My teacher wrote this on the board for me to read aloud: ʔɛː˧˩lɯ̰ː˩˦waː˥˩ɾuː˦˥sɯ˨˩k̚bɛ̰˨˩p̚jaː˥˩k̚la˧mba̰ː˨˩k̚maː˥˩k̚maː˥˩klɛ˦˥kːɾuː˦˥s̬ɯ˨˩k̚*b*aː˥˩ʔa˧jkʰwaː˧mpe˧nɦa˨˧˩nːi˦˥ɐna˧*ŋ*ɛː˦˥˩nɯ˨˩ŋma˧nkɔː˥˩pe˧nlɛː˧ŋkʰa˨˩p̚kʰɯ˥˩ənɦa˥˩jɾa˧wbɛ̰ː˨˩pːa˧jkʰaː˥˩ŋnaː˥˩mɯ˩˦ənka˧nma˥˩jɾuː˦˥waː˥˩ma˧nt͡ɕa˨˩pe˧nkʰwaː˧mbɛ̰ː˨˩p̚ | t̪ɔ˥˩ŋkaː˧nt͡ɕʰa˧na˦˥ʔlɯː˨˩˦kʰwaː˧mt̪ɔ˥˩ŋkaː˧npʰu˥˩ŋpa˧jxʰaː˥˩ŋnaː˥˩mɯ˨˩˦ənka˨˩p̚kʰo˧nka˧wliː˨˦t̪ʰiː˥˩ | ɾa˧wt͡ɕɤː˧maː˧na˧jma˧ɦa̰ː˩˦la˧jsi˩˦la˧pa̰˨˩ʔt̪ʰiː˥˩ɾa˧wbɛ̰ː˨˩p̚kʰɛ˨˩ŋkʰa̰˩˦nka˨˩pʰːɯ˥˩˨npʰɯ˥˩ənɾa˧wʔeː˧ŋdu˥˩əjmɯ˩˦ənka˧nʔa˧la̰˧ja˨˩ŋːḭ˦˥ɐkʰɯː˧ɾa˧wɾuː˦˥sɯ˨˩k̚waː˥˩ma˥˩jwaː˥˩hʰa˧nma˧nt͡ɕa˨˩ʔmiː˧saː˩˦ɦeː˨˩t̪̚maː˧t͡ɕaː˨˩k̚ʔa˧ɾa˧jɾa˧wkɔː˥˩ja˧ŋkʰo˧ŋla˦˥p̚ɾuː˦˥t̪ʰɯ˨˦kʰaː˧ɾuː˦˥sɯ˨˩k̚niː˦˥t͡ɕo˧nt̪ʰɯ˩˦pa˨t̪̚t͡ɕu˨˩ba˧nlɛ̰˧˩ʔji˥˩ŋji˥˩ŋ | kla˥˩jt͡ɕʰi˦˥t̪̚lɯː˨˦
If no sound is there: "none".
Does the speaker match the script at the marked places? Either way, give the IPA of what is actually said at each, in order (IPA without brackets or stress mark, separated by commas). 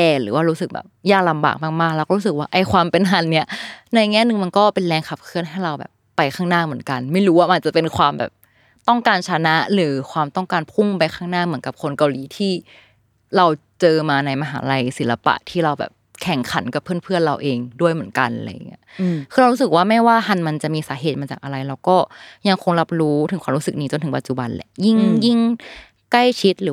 w, ŋ